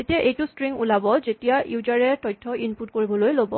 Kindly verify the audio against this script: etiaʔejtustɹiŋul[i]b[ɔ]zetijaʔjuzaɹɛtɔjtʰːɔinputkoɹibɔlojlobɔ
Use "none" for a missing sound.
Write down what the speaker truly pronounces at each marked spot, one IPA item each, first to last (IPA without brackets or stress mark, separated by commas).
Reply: a, ɔ